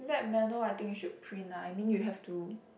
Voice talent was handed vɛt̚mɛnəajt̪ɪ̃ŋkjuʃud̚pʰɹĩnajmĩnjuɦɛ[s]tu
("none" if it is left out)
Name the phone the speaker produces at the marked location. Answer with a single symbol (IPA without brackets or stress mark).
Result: f